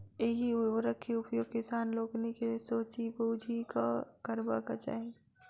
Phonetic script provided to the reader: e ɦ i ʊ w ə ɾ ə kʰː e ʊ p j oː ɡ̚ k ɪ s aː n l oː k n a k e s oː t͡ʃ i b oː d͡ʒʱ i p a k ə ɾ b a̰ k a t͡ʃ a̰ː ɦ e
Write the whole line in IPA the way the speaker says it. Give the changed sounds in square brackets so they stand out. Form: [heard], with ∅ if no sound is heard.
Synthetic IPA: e ɦ i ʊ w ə ɾ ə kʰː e ʊ p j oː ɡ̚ k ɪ s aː n l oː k n [e] k e s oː t͡ʃ i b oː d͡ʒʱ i [k] a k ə ɾ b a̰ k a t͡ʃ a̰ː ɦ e